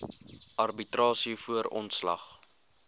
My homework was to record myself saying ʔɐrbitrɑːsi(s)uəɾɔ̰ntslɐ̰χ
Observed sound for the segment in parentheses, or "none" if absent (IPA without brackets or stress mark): f